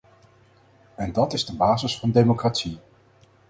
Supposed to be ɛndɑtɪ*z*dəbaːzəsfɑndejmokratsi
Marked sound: correct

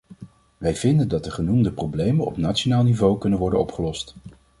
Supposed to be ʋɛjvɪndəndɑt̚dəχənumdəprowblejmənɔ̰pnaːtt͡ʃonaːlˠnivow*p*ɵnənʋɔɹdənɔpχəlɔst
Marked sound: incorrect: k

